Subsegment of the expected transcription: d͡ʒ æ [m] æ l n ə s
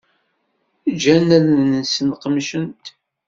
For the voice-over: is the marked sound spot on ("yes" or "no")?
no